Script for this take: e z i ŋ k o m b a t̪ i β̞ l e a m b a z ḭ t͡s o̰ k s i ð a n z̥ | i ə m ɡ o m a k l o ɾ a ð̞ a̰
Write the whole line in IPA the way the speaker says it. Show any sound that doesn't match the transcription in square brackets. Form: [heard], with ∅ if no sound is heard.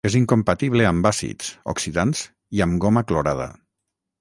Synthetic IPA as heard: e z i ŋ k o m [p] a t̪ i β̞ l e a m b a [s] ḭ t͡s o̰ k s i ð a n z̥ | i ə m ɡ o m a k l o ɾ a ð̞ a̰